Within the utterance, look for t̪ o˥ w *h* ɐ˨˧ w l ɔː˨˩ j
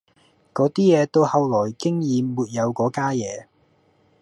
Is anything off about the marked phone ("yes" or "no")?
no